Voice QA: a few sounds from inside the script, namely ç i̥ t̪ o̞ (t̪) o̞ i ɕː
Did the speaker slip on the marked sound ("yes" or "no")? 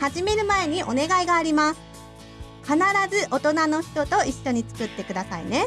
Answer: no